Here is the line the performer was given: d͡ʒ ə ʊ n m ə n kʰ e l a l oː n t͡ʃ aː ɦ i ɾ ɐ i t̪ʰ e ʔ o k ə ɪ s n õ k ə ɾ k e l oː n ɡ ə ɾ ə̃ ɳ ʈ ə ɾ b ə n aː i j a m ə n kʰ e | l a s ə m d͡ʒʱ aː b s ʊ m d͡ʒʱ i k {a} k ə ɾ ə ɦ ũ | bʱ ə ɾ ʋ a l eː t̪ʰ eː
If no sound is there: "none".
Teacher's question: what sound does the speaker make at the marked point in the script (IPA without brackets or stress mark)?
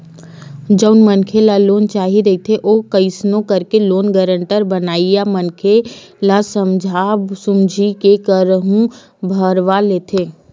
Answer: e